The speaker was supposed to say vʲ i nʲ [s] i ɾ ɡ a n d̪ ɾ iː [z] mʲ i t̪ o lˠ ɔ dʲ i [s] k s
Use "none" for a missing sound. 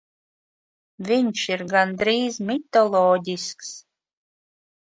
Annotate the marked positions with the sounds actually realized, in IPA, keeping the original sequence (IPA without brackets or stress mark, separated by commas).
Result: ʃ, z, s